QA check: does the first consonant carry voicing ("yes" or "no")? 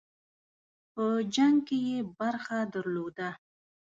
no